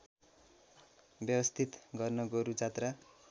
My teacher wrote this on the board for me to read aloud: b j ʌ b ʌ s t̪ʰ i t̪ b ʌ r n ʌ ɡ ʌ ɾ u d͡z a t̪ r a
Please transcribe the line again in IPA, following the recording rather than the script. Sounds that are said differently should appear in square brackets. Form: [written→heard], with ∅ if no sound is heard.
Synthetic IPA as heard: b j ʌ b ʌ s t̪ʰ i t̪ [b→ɡ] ʌ r n ʌ ɡ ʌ ɾ u d͡z a t̪ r a